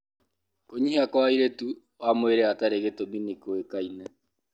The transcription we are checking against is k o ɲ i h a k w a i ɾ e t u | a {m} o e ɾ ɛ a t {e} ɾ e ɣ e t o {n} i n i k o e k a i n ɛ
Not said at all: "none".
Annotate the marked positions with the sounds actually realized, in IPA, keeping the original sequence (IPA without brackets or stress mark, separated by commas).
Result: m, a, m